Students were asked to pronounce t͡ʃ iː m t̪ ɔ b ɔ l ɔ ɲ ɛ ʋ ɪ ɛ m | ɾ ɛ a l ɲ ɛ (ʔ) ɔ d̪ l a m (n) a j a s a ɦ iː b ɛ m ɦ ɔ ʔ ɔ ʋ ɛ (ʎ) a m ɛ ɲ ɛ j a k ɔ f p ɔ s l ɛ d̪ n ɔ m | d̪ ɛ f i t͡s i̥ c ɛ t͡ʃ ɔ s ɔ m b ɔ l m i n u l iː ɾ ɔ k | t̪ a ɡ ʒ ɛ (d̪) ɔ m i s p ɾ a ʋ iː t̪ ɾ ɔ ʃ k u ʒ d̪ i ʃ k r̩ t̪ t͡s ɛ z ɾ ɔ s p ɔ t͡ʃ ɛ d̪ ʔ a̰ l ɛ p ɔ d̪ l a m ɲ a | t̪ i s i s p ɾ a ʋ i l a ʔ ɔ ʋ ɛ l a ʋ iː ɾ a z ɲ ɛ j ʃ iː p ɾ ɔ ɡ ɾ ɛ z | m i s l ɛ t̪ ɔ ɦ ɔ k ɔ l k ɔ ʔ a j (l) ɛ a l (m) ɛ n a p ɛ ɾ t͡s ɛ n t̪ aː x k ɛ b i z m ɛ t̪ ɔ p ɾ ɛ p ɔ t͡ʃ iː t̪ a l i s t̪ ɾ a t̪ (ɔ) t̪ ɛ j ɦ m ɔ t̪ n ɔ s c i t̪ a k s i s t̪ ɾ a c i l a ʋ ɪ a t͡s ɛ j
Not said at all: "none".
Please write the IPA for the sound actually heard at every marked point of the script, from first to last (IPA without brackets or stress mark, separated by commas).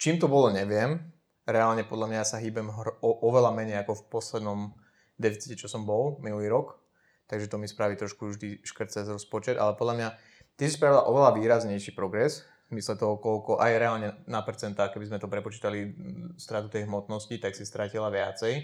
p, ɲ, l, t̪, ɾ, ɲ, u